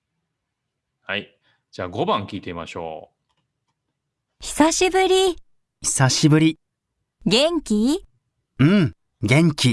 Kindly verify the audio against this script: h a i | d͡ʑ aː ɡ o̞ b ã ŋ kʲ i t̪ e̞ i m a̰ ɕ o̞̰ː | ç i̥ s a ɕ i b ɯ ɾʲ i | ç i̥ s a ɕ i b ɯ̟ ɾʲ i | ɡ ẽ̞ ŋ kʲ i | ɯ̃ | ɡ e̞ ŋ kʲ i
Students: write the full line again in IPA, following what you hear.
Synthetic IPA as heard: h a i | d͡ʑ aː ɡ o̞ b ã ŋ kʲ iː t̪ e̞ i m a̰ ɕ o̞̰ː | ç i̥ s a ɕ i b ɯ ɾʲ i | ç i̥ s a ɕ i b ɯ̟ ɾʲ i | ɡ ẽ̞ ŋ kʲ i | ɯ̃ | ɡ ẽ̞ ŋ kʲ i

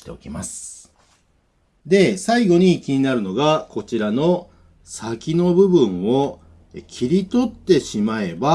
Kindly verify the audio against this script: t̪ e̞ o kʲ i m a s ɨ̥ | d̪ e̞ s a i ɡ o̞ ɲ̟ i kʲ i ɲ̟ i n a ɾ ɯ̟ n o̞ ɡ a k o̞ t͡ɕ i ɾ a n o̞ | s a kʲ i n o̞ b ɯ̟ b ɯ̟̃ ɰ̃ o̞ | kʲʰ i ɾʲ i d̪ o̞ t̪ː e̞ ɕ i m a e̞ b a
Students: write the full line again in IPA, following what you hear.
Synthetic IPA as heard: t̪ e̞ o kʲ i m a s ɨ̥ | d̪ e̞ s a i ɡ o̞ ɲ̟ i kʲ i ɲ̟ i n a ɾ ɯ̟ n o̞ ɡ a k o̞ t͡ɕ i ɾ a n o̞ | s a kʲ i n o̞ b ɯ̟ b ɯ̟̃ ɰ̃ o̞ | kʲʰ i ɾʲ i t̪ o̞ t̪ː e̞ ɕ i m a e̞ b a

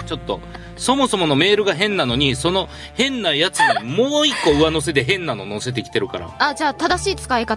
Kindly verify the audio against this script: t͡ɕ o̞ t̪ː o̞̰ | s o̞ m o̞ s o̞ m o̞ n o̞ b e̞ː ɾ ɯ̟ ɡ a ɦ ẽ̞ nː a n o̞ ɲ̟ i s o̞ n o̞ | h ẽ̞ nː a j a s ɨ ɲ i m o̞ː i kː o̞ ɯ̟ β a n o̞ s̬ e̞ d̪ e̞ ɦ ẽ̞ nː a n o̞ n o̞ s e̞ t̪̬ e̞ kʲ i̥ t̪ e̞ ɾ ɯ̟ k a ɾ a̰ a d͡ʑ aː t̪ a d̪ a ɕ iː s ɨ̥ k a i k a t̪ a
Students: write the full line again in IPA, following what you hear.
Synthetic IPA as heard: t͡ɕ o̞ t̪ː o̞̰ | s o̞ m o̞ s o̞ m o̞ n o̞ m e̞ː ɾ ɯ̟ ɡ a ɦ ẽ̞ nː a n o̞ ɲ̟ i s o̞ n o̞ | h ẽ̞ nː a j a t͡s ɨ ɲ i m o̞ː i kː o̞ ɯ̟ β a n o̞ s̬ e̞ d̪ e̞ ɦ ẽ̞ nː a n o̞ n o̞ s e̞ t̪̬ e̞ kʲ i̥ t̪ e̞ ɾ ɯ̟ k a ɾ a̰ a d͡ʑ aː t̪ a d̪ a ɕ iː t͡s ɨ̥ k a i k a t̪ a

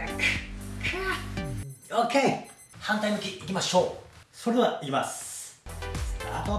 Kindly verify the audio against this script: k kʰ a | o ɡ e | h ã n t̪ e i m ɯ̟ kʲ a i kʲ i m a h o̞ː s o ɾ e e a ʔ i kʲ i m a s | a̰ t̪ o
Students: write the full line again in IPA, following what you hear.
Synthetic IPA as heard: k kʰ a | o k e | h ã n t̪ a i m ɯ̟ kʲ i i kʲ i m a ɕ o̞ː s o ɾ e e a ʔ i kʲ i m a s | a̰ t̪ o

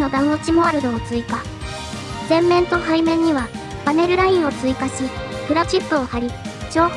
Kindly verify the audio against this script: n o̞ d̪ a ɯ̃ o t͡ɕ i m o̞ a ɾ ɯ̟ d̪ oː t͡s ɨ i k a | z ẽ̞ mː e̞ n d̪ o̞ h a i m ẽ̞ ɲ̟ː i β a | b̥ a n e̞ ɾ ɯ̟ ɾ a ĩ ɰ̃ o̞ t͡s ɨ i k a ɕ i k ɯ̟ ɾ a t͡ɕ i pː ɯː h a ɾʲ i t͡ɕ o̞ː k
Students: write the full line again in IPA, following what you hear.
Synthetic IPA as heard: n o̞ d̪ a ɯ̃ o t͡ɕ i m o̞ a ɾ ɯ̟ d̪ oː t͡s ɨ i k a | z ẽ̞ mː ẽ̞ n t̪ o̞ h a i m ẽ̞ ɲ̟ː i β a | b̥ a n e̞ ɾ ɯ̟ ɾ a ĩ ɰ̃ o̞ t͡s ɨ i k a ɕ i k ɯ̟ ɾ a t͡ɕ i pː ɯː h a ɾʲ i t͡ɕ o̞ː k

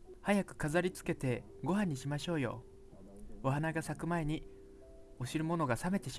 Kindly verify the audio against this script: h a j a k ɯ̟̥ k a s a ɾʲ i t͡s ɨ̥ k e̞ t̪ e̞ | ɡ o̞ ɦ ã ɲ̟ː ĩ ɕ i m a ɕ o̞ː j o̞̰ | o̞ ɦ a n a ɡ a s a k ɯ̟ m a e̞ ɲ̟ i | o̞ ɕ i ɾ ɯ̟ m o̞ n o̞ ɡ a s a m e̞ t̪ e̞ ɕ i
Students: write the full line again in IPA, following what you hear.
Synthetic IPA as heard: h a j a k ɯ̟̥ k a z a ɾʲ i t͡s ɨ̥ k e̞ t̪ e̞ | ɡ o̞ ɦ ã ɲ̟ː i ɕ i m a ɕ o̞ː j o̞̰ | o̞ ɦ a n a ɡ a s a k ɯ̟ m a e̞ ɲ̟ i | o̞ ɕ i ɾ ɯ̟ m o̞ n o̞ ɡ a s a m e̞ t̪ e̞ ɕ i

